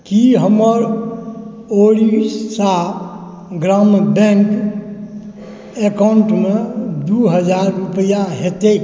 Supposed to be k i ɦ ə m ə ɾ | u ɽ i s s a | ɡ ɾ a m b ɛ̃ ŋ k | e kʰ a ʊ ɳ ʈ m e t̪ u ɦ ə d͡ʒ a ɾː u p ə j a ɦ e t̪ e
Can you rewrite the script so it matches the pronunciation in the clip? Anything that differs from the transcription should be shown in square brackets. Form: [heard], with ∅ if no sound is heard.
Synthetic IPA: k i ɦ ə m ə ɾ | [o] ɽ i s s a | ɡ ɾ a m b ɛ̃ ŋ k | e [k] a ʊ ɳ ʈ m e [d̪] u ɦ ə d͡ʒ a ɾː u p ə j a ɦ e t̪ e